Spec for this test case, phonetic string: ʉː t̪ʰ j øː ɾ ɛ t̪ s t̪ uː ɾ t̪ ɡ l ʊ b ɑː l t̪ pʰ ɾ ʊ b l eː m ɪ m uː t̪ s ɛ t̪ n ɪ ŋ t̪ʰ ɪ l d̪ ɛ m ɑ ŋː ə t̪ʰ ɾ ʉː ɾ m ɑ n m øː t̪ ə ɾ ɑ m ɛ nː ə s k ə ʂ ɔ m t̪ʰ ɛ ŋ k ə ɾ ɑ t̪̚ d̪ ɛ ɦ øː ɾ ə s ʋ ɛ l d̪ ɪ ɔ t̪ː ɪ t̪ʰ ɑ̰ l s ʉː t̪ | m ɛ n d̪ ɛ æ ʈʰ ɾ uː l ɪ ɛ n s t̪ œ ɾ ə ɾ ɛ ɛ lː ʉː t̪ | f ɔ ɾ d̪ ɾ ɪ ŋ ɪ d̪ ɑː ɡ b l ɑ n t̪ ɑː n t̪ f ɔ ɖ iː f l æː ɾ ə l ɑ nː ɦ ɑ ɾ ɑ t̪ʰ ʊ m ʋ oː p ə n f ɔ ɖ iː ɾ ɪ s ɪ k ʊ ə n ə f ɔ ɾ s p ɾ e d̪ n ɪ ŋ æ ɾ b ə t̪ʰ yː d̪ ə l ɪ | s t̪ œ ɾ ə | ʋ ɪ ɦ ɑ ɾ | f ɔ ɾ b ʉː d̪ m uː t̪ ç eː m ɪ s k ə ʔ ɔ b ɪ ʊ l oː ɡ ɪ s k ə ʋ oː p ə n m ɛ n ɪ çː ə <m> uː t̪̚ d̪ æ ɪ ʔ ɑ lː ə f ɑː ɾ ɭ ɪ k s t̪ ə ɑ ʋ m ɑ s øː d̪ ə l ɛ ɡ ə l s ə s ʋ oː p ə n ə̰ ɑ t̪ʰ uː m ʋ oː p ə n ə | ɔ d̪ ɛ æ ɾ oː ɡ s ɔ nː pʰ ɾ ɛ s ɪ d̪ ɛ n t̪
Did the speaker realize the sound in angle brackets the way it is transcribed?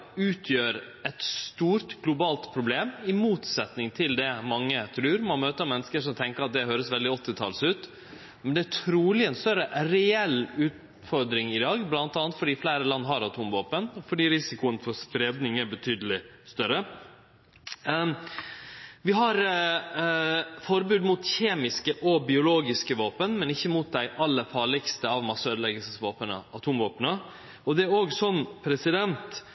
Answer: yes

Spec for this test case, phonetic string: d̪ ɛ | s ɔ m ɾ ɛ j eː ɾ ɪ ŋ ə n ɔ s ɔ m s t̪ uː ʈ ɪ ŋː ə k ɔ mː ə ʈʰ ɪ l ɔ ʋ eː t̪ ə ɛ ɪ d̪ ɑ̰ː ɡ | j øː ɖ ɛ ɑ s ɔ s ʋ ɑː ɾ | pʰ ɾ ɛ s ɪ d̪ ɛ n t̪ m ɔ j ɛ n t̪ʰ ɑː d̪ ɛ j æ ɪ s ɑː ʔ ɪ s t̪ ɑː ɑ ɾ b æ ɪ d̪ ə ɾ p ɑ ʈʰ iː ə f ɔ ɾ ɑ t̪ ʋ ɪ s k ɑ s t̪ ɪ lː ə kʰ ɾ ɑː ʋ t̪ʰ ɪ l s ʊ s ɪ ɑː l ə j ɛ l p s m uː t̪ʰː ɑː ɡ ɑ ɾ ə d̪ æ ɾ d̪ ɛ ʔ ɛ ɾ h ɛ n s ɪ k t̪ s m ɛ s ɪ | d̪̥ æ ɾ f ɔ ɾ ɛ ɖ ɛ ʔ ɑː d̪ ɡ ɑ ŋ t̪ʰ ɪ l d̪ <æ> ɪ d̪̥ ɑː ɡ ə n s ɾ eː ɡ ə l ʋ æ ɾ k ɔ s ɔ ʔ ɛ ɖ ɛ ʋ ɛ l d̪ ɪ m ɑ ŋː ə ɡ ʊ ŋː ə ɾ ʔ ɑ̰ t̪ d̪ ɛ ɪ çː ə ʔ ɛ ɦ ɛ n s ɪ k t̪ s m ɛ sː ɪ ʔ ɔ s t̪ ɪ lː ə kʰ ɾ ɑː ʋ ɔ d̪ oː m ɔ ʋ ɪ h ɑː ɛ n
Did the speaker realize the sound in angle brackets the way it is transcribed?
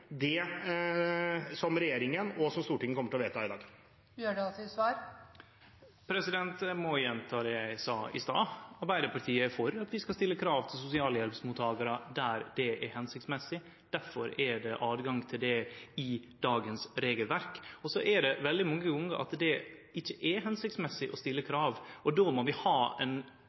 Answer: no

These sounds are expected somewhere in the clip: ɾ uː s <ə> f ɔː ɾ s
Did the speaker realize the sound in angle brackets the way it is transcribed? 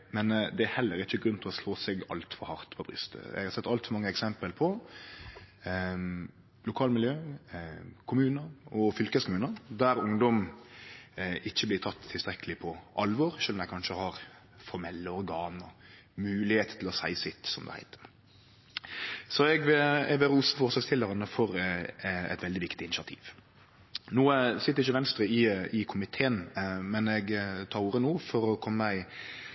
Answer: yes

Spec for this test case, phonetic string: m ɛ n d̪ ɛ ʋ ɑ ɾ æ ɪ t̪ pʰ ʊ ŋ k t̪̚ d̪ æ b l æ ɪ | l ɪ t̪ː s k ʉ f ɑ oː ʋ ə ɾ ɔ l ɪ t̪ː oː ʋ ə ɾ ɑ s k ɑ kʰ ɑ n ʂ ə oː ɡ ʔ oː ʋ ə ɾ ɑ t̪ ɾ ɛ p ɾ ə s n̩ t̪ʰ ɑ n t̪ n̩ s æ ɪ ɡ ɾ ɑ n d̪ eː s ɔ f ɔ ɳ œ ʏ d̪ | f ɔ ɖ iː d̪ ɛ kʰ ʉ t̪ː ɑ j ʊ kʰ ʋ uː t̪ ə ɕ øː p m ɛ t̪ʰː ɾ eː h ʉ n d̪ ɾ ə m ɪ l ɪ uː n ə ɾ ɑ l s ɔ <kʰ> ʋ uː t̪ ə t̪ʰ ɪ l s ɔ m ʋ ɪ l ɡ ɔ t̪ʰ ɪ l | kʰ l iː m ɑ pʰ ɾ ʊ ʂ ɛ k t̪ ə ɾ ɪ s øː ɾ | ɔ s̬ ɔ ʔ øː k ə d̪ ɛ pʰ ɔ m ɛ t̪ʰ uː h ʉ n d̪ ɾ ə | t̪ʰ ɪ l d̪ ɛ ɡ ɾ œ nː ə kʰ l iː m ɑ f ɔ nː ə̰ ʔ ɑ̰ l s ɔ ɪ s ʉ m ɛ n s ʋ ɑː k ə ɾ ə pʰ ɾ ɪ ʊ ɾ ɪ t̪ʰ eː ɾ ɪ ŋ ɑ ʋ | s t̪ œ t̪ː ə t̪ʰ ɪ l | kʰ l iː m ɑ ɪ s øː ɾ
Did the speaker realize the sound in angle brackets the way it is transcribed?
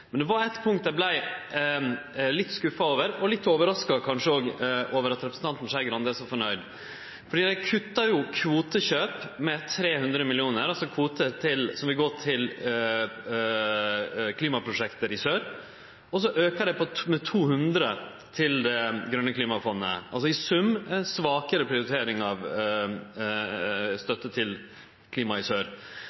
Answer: yes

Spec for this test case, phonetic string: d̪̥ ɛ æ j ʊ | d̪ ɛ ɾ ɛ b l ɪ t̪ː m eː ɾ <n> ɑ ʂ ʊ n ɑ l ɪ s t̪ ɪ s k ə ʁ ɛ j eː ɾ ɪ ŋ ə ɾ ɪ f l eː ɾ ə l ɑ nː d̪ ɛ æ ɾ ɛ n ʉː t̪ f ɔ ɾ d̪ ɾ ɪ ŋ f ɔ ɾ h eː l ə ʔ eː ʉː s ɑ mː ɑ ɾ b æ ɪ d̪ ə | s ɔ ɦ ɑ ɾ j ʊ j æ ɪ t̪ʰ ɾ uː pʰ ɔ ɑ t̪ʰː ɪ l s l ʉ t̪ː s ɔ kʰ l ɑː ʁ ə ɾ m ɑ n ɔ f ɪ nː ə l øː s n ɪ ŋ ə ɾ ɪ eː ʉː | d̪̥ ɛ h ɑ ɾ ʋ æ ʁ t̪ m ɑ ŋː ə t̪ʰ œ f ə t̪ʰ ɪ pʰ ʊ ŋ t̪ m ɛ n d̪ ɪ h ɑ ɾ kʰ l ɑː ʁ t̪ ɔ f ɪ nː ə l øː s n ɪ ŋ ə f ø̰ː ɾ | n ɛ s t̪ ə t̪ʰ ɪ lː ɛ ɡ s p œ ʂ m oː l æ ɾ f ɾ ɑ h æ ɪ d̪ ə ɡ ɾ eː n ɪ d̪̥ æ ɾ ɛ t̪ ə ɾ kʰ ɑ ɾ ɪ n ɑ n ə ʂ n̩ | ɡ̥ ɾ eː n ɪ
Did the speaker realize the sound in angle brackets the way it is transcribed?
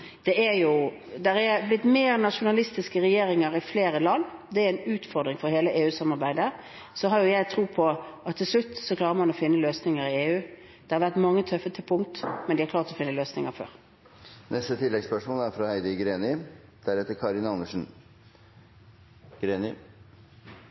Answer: yes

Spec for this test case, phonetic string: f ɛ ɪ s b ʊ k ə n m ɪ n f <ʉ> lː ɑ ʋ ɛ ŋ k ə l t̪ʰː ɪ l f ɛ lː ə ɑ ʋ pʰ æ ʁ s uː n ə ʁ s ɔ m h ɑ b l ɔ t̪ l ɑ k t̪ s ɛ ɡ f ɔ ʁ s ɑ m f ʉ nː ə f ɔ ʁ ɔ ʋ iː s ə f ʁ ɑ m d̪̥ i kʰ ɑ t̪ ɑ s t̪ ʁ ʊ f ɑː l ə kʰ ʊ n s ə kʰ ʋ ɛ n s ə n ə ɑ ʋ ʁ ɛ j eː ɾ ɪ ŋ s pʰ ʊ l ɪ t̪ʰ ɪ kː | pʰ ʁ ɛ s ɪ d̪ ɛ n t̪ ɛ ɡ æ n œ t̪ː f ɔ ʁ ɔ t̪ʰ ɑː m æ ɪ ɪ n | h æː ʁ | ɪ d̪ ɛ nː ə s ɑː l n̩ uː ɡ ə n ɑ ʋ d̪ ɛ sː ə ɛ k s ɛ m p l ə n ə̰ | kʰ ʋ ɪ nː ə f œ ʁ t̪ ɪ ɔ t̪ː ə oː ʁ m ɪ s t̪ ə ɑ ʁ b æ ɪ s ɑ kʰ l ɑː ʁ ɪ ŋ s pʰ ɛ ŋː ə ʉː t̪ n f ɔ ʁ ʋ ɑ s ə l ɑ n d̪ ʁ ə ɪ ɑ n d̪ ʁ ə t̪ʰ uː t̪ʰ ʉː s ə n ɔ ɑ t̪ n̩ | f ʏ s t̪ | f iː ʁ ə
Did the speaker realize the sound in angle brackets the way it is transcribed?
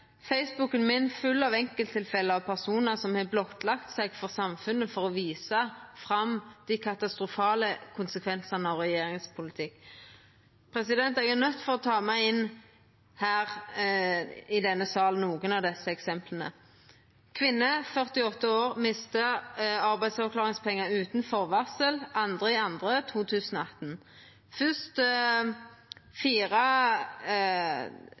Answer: yes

